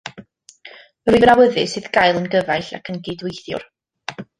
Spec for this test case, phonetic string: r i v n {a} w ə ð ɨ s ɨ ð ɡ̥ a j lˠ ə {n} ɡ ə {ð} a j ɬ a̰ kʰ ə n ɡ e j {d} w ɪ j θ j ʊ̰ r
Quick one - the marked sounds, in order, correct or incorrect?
correct, correct, incorrect, correct

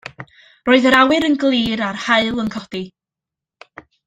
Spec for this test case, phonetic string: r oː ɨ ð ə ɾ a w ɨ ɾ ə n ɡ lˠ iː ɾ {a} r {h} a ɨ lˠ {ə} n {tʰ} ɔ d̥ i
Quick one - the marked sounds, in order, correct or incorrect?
correct, correct, correct, incorrect

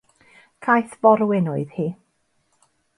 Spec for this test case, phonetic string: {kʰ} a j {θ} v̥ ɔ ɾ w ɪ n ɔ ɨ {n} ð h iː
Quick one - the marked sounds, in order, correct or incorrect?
correct, correct, incorrect

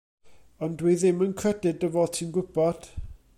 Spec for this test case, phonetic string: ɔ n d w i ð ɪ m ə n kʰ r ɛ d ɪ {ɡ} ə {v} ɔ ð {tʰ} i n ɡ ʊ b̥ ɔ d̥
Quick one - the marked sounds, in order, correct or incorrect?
incorrect, correct, correct

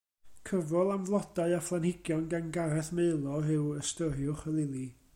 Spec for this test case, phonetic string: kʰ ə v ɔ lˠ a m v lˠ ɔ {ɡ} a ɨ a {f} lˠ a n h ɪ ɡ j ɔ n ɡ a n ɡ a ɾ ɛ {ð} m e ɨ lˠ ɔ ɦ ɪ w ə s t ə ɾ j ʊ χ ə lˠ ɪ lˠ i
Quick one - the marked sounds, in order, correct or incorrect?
incorrect, correct, incorrect

